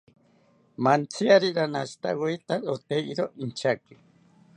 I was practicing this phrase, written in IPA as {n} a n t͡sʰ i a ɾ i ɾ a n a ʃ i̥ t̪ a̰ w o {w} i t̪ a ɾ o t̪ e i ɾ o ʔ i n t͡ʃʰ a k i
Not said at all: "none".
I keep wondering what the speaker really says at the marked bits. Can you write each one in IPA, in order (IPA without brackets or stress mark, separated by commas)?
m, none